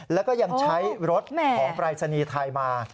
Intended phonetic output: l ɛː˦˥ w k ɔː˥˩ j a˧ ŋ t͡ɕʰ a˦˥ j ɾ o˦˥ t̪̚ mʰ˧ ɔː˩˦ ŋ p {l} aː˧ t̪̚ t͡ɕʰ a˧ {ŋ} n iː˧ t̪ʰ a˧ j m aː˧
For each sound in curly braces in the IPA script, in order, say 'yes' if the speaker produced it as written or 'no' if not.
no, no

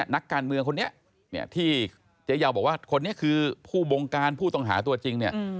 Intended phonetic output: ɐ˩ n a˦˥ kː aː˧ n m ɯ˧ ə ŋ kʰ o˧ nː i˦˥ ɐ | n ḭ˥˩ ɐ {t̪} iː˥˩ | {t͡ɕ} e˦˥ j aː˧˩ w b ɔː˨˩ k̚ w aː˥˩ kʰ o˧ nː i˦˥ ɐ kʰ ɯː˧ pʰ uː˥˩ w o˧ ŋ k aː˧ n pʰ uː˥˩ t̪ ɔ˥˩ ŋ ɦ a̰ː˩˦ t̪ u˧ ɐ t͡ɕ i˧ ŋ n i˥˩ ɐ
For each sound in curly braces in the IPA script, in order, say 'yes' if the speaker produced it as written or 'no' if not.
no, yes

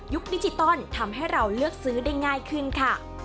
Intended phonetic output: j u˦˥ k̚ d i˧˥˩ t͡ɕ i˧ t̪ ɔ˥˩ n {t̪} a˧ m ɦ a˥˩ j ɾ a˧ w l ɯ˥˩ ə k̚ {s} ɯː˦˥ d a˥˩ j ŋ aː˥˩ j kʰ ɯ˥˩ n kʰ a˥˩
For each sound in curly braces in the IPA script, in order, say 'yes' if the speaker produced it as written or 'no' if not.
no, yes

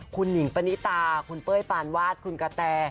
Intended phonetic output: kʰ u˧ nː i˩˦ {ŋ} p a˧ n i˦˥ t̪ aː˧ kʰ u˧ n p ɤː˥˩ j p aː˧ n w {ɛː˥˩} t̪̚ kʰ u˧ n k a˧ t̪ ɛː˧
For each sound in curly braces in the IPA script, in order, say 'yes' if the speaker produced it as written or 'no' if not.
yes, no

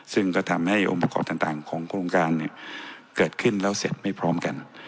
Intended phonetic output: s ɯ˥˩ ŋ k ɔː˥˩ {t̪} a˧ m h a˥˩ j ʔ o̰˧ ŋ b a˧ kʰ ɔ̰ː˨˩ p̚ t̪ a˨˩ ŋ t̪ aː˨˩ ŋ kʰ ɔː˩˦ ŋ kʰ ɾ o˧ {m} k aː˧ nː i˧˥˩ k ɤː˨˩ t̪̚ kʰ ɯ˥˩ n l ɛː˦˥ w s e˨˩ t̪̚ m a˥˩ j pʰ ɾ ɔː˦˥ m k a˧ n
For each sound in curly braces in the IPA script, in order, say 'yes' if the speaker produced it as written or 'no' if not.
no, no

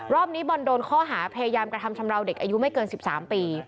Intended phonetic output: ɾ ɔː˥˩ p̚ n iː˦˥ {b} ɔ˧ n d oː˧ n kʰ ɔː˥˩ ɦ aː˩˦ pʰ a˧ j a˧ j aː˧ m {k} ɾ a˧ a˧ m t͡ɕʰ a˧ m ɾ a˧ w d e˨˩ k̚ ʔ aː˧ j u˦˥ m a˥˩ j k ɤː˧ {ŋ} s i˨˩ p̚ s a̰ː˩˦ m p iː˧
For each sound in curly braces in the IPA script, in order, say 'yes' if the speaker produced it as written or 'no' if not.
yes, yes, no

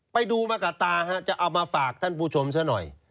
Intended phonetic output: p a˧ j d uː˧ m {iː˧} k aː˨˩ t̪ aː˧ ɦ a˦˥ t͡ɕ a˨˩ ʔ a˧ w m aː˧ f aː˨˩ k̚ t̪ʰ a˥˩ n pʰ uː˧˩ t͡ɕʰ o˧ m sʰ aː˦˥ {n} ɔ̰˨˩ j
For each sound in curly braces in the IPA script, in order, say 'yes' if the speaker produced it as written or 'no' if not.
no, yes

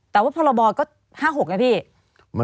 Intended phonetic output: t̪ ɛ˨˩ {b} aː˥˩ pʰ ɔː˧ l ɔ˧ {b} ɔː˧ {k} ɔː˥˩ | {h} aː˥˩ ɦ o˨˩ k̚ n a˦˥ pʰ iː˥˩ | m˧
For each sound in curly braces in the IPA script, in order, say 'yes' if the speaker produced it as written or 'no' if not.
no, yes, yes, yes

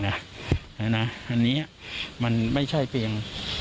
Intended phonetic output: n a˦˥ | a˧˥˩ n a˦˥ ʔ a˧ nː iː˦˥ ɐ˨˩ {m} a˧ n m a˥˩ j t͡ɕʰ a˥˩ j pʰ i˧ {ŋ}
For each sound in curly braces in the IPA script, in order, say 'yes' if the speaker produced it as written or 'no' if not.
yes, yes

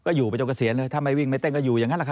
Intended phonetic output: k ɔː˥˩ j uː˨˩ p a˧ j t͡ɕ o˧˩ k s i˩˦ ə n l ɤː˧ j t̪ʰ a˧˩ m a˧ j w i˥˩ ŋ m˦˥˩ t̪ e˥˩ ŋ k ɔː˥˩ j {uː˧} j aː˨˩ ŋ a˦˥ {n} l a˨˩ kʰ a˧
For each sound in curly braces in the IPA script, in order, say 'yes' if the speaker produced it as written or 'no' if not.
no, yes

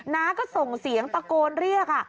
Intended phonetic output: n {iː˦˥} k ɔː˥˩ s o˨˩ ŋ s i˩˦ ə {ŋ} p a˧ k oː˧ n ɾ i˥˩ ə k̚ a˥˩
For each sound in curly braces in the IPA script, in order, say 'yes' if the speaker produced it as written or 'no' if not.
no, yes

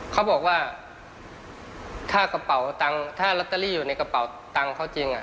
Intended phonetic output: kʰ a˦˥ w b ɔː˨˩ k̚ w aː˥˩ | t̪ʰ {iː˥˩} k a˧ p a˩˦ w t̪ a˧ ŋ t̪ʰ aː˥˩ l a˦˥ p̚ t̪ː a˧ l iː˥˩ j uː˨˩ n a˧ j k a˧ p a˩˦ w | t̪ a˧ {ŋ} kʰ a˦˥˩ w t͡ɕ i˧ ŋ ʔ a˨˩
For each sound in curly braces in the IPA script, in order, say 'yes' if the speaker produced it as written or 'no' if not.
no, yes

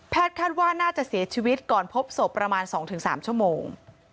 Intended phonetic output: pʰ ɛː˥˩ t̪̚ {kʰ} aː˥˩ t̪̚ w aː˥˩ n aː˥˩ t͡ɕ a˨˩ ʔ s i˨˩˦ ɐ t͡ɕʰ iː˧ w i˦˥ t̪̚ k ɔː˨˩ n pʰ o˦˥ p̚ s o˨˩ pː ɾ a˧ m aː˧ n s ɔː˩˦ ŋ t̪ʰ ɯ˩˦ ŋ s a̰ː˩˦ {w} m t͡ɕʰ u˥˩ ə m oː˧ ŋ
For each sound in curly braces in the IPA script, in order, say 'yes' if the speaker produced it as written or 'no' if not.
yes, no

